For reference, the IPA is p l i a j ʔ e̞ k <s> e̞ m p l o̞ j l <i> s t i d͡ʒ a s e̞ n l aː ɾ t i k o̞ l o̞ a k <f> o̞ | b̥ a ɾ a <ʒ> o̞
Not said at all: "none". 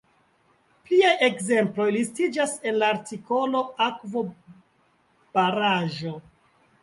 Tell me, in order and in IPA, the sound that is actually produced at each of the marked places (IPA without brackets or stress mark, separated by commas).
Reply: z, i, v, ʒ